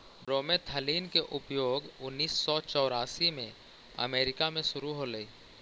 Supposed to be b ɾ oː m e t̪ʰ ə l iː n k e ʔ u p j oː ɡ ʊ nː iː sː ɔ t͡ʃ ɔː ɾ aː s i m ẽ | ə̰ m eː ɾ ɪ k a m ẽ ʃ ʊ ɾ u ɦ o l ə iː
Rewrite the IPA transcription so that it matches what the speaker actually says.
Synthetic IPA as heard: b ɾ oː m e t̪ʰ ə l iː n k e ʔ ʊ p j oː ɡ ʊ nː iː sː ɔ t͡ʃ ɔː ɾ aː s i m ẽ | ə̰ m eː ɾ ɪ k a m ẽ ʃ ʊ ɾ u ɦ o l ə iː